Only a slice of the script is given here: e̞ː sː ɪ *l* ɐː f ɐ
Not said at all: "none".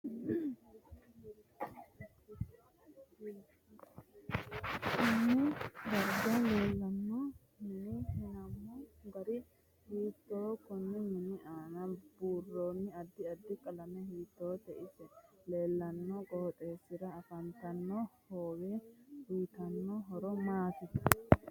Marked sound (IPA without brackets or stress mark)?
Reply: ɾ